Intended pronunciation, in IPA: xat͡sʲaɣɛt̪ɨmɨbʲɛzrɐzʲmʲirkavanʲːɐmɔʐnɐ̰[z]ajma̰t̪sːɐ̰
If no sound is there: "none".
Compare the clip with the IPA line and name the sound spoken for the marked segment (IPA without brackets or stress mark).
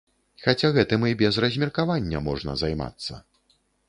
z